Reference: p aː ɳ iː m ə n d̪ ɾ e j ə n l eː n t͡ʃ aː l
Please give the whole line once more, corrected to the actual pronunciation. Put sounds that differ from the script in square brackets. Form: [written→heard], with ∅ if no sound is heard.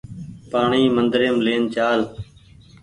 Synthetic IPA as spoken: p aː ɳ iː m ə n d̪ ɾ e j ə [n→m] l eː n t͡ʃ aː l